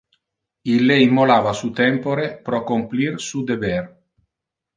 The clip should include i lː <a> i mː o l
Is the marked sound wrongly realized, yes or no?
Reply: yes